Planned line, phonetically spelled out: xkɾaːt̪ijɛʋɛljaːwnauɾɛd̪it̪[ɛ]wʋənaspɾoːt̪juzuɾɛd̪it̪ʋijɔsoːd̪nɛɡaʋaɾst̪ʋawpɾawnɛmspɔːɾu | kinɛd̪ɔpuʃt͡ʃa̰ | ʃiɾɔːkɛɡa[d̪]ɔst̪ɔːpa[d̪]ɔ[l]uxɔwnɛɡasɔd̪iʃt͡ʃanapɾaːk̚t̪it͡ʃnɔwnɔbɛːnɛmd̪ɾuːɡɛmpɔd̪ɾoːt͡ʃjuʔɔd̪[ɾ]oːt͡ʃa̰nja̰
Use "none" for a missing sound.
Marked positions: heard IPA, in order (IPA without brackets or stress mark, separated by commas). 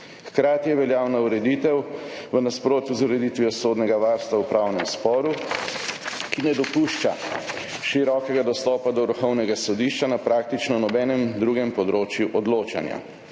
ɛ, d̪, d̪, ɾ, l